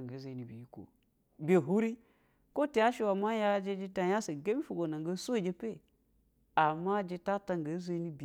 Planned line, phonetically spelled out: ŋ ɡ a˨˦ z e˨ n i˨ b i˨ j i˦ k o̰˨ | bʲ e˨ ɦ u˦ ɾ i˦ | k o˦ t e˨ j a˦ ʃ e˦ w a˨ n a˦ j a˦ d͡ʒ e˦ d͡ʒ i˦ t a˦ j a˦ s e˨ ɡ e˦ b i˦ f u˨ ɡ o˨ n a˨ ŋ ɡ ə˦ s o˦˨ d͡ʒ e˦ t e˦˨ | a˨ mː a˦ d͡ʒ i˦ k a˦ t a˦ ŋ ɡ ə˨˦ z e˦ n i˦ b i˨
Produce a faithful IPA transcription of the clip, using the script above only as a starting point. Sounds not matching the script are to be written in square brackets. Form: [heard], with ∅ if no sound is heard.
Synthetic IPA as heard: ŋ ɡ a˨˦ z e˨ n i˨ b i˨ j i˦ k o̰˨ | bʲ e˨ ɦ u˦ ɾ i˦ | k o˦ t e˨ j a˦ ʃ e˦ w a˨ [m] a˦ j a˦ d͡ʒ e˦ d͡ʒ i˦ t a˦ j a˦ s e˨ ɡ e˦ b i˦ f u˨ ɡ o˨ n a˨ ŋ ɡ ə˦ s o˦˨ d͡ʒ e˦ [p] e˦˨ | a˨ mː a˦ d͡ʒ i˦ [t] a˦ t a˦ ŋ ɡ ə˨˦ z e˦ n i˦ b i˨